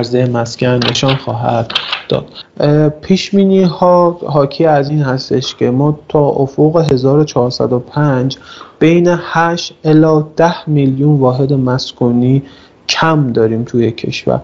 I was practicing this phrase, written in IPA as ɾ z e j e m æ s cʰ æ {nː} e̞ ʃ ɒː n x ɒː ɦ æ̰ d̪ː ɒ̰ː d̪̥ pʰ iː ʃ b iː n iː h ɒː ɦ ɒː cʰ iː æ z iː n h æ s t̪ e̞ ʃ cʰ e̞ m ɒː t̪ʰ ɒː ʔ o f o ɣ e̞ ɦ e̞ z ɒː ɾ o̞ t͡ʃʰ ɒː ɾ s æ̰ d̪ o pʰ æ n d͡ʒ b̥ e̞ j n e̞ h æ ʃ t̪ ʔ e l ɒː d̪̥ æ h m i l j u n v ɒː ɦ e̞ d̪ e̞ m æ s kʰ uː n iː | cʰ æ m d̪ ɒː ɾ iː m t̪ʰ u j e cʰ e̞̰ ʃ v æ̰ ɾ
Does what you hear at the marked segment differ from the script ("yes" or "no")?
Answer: no